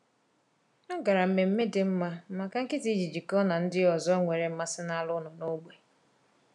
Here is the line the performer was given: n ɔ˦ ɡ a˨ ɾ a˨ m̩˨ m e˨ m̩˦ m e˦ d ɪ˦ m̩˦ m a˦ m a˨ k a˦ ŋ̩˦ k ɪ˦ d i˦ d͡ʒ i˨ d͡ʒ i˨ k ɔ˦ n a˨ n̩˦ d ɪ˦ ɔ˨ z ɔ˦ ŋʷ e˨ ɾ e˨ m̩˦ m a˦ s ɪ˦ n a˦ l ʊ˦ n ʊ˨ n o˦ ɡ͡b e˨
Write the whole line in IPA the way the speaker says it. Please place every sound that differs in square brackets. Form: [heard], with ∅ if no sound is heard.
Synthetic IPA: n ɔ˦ ɡ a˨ ɾ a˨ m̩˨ m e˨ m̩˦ m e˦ d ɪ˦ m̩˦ m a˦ m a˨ k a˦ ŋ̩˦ k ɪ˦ [t] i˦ d͡ʒ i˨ d͡ʒ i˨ k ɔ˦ n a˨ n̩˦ d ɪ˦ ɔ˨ z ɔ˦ ŋʷ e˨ ɾ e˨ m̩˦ m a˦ s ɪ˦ n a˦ l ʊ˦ n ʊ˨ n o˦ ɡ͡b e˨